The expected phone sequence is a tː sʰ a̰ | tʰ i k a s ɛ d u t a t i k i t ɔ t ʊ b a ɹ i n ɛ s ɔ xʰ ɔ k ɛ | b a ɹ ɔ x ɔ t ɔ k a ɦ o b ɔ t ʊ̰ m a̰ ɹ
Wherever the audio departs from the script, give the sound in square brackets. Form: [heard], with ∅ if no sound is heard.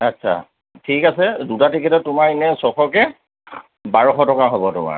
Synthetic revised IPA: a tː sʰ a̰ | tʰ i k a s ɛ d u t a t i k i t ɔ t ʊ [m] a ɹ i n ɛ s ɔ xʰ ɔ k ɛ | b a ɹ ɔ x ɔ t ɔ k a ɦ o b ɔ t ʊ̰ m a̰ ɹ